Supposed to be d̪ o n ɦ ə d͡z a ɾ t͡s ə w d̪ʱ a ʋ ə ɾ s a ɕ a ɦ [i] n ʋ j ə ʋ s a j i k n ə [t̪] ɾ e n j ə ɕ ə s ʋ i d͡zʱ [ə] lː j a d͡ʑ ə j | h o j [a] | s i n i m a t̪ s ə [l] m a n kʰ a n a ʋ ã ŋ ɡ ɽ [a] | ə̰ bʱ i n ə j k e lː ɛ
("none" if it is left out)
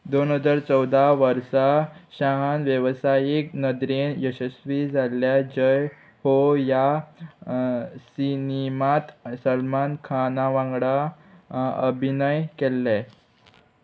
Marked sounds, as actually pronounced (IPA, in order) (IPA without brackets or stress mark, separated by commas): a, d̪, a, a, l, a